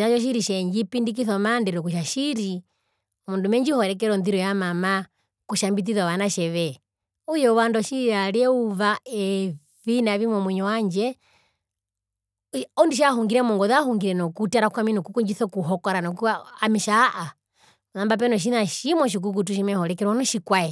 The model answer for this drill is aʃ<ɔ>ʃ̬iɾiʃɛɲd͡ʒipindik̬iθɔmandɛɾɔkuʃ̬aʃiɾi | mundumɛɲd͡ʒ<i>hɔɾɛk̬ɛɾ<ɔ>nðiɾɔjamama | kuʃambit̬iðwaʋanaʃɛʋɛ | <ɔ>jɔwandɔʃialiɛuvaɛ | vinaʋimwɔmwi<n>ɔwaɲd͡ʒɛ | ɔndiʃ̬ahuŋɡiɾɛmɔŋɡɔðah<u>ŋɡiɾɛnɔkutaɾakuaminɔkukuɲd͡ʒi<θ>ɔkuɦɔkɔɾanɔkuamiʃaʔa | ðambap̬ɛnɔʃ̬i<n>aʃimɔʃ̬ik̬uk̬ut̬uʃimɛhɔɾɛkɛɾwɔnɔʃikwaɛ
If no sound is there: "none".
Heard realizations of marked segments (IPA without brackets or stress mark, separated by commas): ɔ, i, ɔ, u, ɲ, u, θ, n